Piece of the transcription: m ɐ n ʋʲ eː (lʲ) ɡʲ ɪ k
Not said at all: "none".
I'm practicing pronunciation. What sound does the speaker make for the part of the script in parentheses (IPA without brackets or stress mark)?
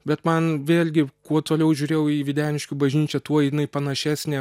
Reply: lʲ